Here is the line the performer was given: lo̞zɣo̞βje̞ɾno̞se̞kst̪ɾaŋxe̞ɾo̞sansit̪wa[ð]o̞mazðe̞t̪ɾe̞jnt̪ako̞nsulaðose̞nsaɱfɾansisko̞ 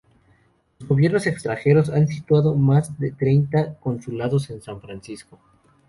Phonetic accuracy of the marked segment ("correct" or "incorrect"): correct